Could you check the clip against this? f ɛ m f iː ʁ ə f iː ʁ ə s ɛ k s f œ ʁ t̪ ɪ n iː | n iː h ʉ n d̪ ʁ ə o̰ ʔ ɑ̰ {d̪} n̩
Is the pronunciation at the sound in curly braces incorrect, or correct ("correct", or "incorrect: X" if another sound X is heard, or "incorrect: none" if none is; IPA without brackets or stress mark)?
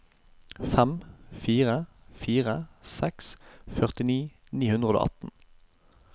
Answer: incorrect: t̪